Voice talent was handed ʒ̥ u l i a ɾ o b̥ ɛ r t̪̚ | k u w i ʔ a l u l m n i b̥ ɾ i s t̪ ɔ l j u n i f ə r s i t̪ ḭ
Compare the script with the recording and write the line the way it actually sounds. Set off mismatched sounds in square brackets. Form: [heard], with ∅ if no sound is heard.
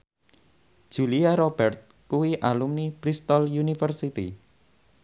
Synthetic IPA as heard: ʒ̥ u l i a ɾ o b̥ ɛ r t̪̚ | k u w i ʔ a l u [∅] m n i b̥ ɾ i s t̪ ɔ l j u n i f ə r s i t̪ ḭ